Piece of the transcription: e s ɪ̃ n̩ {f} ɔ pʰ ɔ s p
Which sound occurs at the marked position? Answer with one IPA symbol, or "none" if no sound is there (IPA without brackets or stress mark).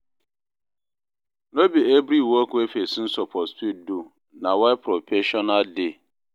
s